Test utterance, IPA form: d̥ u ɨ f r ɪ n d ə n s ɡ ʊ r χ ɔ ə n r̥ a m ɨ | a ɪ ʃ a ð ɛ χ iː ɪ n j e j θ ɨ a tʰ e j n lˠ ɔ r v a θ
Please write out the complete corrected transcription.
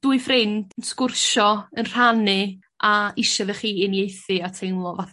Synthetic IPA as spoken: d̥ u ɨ f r ɪ n d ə n s k ʊ r ʃ ɔ ə n r̥ a n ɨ | a ɪ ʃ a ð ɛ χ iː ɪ n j e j θ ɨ a tʰ e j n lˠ ɔ v a θ